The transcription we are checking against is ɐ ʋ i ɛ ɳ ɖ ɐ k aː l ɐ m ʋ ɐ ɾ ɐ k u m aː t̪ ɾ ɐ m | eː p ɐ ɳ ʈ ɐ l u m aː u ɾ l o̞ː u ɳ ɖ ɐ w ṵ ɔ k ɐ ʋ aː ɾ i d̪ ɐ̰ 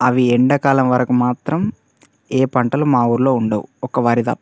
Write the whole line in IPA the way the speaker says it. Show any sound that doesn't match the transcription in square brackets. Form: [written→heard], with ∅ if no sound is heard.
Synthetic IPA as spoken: ɐ ʋ i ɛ ɳ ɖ ɐ k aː l ɐ m ʋ ɐ ɾ ɐ k u m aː t̪ ɾ ɐ m | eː p ɐ ɳ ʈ ɐ l u m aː u ɾ l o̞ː u ɳ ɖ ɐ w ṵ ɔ k ɐ ʋ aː ɾ i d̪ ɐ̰